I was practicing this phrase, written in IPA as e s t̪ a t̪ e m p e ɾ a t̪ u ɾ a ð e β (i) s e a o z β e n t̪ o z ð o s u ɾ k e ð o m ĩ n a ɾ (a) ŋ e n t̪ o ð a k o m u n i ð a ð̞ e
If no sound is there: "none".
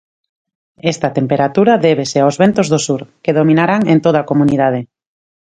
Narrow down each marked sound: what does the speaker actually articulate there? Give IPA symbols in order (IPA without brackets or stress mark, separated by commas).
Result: e, a